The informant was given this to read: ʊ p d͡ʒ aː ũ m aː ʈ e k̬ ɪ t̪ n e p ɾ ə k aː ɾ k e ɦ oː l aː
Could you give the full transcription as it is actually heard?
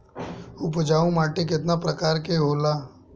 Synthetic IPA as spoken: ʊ p d͡ʒ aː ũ m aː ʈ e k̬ ɪ t̪ n a p ɾ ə k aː ɾ k e ɦ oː l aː